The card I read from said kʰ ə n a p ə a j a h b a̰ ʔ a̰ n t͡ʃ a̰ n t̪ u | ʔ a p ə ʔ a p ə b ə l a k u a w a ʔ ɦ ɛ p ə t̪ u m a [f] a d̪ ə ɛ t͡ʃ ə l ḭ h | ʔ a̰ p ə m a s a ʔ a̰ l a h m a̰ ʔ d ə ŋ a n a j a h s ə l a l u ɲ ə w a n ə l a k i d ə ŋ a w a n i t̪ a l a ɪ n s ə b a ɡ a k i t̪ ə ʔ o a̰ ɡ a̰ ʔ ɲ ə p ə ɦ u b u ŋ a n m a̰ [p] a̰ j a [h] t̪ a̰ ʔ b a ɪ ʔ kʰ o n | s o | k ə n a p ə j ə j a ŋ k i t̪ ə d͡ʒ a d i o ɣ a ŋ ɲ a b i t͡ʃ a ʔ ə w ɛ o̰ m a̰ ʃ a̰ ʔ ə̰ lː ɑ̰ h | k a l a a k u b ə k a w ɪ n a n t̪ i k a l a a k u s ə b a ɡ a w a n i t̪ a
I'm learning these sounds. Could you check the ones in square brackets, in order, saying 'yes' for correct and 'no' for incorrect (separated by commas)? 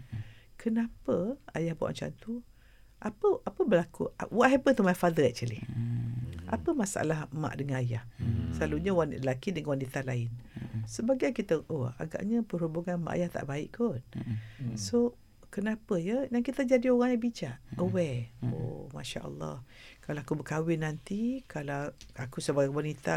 yes, no, yes